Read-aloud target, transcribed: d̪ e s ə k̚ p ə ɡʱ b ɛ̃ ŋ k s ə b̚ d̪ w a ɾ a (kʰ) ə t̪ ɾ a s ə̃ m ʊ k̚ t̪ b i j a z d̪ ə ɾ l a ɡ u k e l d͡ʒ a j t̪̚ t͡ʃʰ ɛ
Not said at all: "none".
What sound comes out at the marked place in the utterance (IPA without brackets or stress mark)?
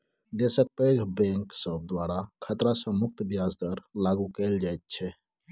kʰ